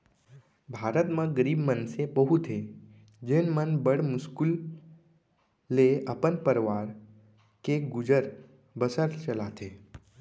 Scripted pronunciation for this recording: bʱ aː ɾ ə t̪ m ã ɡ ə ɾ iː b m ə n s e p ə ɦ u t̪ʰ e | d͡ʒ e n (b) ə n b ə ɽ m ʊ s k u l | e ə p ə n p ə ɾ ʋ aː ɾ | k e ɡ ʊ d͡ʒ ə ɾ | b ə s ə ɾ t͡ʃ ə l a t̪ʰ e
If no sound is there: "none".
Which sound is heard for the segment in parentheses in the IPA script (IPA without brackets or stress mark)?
m